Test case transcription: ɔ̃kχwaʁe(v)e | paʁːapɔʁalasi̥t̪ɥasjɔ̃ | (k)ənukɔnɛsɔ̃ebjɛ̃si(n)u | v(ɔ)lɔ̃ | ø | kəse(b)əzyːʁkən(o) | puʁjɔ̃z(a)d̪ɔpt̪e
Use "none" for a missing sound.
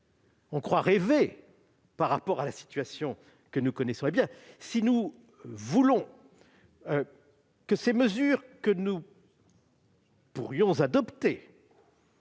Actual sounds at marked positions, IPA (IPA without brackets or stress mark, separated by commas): v, k, n, u, m, u, a